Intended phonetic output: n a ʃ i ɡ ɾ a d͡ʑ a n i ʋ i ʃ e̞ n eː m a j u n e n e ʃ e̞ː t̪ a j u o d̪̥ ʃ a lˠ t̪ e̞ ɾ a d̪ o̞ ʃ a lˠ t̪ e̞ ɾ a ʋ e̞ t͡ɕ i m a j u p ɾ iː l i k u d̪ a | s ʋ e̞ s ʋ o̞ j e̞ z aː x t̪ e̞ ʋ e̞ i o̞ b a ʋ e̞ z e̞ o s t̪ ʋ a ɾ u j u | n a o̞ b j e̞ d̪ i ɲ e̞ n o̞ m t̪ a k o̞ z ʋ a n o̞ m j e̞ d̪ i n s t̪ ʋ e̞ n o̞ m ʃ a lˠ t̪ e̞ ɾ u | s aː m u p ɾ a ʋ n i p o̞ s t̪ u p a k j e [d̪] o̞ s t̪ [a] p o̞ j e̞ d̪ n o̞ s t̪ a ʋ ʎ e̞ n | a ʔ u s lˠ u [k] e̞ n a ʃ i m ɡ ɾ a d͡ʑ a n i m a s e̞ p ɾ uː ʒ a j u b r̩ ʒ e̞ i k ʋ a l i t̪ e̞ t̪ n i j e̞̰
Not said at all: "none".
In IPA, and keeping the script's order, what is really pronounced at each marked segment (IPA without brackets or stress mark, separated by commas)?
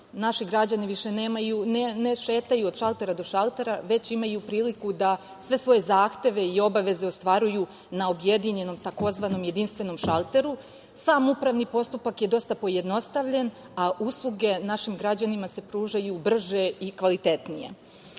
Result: d̪, a, ɡ